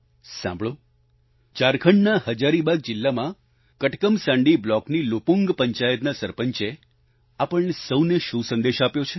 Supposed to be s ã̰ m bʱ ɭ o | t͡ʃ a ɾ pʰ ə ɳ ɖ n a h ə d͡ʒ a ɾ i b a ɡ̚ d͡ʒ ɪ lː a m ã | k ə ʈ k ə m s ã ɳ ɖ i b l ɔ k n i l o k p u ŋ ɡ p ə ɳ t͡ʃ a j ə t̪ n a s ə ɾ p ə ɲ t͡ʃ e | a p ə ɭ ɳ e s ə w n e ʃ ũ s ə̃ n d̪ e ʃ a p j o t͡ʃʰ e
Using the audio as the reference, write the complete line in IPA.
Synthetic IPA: s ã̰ m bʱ ɭ o | t͡ʃ a ɾ kʰ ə ɳ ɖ n a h ə d͡ʒ a ɾ i b a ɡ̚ d͡ʒ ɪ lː a m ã | k ə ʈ k ə m s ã ɳ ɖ i b l ɔ k n i l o p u ŋ ɡ p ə ɲ t͡ʃ a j ə t̪ n a s ə ɾ p ə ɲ t͡ʃ e | a p ə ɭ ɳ e s ə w n e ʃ ũ s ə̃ n d̪ e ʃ a p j o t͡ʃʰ e